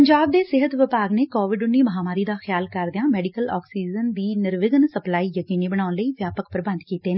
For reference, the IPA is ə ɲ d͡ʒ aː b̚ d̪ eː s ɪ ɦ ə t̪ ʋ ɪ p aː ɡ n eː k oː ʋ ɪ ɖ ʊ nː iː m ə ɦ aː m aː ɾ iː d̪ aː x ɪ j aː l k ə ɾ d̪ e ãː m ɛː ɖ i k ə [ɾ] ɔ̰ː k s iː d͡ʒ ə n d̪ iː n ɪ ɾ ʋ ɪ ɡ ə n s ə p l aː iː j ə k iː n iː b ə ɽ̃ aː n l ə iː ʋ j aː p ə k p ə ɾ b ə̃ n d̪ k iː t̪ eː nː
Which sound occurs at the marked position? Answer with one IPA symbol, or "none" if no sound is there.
l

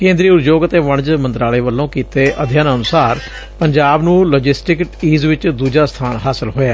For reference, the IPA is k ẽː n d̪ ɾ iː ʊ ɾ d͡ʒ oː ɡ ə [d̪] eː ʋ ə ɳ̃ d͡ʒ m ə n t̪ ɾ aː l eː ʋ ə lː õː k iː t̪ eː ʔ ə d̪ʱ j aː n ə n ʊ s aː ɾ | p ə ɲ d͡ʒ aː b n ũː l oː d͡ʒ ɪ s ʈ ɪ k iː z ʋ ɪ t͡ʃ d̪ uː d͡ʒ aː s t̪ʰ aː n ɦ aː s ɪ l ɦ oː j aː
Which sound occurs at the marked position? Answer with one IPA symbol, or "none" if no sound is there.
t̪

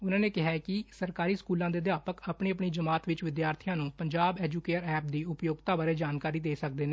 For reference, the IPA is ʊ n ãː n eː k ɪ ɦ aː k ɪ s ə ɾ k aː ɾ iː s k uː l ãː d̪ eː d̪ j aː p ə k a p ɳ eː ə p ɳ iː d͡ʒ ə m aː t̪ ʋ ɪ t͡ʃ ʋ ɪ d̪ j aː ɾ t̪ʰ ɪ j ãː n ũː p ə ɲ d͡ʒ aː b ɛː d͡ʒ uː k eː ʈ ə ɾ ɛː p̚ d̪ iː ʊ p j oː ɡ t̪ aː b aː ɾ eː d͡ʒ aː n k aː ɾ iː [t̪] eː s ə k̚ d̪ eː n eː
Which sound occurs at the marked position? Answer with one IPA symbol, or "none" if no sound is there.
d̪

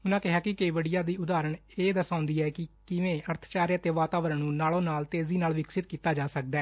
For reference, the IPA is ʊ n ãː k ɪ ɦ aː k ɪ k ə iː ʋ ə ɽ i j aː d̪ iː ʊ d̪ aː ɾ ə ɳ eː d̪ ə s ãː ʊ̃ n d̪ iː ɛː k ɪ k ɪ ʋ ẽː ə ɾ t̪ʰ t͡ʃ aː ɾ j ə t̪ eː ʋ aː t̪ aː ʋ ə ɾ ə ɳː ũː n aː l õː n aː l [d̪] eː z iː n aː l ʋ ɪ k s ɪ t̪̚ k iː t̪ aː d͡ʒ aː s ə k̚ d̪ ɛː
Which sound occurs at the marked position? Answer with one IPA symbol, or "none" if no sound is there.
t̪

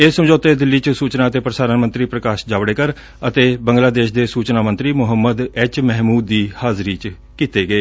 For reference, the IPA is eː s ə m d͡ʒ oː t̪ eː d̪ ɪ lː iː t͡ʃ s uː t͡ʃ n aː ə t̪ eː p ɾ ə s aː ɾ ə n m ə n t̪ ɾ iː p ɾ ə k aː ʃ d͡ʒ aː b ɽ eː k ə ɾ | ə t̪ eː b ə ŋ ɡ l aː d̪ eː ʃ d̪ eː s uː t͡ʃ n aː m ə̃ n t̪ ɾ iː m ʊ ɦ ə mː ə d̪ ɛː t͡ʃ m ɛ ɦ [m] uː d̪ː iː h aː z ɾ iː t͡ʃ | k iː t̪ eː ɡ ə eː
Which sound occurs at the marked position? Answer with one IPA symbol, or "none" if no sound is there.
m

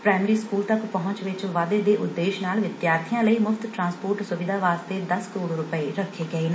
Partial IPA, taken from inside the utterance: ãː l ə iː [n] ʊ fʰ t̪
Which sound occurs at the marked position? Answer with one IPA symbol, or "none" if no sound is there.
m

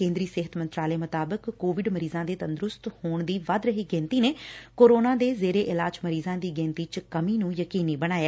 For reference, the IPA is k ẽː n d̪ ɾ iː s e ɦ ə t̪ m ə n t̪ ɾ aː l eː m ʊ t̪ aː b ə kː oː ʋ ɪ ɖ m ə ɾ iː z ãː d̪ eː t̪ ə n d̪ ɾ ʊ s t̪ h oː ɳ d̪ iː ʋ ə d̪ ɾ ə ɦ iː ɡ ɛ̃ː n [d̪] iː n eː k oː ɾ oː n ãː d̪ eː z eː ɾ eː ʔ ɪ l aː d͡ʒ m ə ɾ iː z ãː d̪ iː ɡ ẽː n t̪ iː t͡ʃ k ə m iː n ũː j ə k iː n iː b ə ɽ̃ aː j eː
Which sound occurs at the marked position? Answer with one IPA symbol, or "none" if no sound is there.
t̪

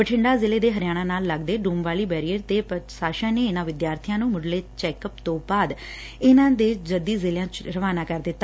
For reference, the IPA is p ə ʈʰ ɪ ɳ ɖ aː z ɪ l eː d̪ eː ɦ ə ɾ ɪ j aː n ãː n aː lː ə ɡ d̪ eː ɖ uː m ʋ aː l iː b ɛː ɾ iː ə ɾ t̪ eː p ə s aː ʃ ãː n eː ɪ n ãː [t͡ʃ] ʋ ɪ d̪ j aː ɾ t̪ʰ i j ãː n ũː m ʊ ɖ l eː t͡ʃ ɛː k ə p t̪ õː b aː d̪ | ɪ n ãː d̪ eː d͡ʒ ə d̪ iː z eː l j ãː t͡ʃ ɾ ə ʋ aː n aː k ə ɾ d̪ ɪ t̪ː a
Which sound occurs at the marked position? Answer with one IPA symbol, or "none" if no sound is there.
none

